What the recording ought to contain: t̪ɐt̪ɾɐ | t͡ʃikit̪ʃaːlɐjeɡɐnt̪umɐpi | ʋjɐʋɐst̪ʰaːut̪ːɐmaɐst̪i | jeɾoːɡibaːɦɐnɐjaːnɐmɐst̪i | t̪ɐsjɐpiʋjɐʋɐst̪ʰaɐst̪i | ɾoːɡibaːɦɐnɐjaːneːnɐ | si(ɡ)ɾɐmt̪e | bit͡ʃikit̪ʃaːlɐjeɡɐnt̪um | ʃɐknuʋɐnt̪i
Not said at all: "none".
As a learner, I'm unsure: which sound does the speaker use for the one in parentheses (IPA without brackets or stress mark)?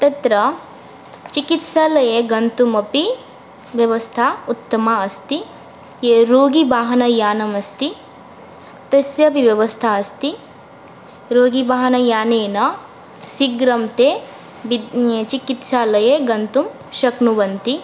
ɡ